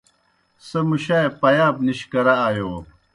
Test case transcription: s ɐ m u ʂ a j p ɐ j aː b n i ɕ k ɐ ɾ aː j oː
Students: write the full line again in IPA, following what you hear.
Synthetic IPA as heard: s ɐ m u ɕ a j p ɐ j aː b n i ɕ k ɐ ɾ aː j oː